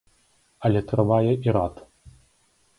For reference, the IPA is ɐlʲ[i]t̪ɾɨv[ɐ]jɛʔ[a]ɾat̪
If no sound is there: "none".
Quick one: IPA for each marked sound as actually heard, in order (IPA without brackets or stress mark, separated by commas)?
ɛ, a, i